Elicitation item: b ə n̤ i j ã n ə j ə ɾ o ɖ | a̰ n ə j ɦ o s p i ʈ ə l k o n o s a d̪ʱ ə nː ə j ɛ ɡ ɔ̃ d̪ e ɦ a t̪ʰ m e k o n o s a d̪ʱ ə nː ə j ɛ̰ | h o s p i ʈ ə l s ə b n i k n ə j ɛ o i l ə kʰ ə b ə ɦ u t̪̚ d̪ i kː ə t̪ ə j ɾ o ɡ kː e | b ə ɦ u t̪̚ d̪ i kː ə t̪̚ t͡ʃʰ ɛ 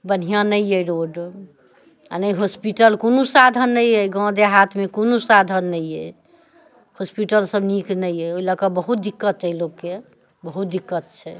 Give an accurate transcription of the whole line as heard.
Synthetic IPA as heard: b ə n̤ i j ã n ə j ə ɾ o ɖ | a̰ n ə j ɦ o s p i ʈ ə l k o n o s a d̪ʱ ə nː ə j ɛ ɡ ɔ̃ d̪ e ɦ a t̪ʰ m e k o n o s a d̪ʱ ə nː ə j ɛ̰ | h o s p i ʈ ə l s ə b n i k n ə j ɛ o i l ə k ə b ə ɦ u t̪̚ d̪ i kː ə t̪ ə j l o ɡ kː e | b ə ɦ u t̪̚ d̪ i kː ə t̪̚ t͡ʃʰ ɛ